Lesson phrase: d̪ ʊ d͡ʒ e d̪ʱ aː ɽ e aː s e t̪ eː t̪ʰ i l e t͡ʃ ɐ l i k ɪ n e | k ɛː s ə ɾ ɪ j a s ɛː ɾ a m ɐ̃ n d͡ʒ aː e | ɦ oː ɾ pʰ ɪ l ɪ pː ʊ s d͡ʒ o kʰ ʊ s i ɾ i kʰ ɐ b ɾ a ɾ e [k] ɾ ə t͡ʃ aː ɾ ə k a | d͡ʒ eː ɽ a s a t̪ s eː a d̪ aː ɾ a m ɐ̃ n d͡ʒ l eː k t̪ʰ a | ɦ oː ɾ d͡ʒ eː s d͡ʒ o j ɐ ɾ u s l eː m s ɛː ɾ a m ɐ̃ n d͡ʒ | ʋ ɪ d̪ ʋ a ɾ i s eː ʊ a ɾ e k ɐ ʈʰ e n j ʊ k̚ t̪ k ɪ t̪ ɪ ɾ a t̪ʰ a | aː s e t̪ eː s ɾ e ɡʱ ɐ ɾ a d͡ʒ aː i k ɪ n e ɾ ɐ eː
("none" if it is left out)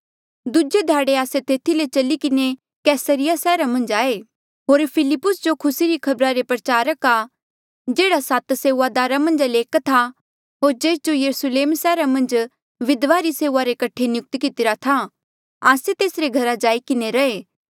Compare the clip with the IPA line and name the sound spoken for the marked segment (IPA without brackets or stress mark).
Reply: p